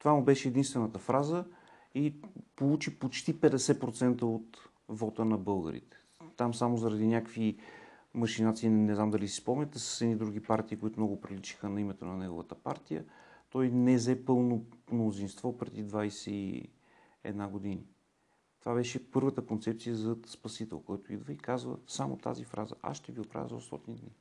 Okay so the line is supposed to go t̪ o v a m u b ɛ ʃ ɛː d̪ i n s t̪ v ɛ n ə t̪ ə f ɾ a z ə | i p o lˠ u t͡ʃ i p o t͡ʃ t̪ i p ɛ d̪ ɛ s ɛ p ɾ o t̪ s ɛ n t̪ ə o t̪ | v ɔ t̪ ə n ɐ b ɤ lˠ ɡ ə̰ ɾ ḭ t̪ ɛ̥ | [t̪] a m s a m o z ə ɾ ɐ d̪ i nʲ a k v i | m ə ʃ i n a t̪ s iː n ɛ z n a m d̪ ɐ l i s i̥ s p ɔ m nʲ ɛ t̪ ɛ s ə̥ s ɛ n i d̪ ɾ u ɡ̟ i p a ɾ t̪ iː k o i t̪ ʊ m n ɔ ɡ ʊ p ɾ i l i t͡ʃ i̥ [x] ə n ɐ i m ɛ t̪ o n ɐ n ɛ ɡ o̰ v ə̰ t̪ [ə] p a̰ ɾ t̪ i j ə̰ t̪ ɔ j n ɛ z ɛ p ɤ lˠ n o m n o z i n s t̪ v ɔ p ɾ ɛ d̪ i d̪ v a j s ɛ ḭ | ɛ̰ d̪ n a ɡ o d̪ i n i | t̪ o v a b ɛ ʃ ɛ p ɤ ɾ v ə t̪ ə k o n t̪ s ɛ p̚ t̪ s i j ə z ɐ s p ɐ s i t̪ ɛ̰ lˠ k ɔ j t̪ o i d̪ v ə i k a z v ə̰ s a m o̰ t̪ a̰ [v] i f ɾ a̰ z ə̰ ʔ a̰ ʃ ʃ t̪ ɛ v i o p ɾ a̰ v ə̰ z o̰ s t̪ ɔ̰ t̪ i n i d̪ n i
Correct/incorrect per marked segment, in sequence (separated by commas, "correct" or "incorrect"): correct, correct, correct, incorrect